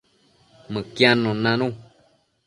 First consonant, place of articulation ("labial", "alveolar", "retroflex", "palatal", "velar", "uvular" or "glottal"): labial